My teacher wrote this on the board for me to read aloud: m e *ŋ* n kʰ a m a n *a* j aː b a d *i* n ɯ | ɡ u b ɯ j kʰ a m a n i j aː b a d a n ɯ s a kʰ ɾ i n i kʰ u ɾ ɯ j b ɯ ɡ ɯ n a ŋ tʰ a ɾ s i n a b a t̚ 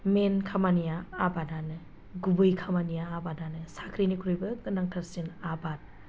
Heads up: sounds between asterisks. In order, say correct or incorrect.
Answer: incorrect, incorrect, incorrect

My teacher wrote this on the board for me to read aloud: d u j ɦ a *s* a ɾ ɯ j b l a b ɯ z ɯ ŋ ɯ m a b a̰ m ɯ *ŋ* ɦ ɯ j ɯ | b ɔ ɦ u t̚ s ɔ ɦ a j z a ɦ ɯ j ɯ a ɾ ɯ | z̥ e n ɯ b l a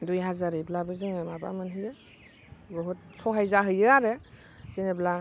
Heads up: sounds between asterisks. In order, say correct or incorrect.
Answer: incorrect, incorrect

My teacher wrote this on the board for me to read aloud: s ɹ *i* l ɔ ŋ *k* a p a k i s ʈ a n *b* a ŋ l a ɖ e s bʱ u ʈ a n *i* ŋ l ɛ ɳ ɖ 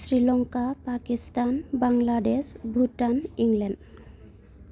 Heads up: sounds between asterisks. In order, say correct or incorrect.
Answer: correct, correct, correct, correct

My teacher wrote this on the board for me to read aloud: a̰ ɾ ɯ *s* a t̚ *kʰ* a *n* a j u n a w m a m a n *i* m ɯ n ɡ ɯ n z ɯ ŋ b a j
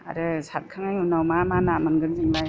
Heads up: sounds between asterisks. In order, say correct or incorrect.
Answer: correct, correct, incorrect, incorrect

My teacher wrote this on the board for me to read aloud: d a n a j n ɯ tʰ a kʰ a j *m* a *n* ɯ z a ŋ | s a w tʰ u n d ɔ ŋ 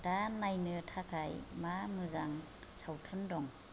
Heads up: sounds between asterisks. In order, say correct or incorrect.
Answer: correct, incorrect

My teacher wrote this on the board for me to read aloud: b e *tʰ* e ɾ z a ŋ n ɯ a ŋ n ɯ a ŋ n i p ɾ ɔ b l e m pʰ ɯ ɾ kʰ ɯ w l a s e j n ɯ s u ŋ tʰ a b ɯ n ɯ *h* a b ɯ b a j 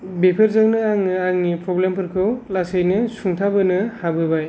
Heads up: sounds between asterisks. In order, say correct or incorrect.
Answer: incorrect, correct

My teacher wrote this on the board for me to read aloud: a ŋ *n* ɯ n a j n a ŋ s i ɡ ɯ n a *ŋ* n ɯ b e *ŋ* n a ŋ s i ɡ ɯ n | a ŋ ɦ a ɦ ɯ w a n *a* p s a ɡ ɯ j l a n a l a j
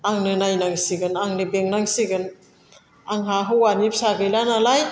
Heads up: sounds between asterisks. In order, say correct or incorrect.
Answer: correct, correct, correct, incorrect

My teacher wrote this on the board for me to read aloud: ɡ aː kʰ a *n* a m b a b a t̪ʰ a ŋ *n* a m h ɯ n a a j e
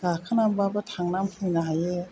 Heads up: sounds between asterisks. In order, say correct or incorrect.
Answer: correct, correct

